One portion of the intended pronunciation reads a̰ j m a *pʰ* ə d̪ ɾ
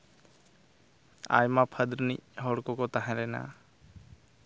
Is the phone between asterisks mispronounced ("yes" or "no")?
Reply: no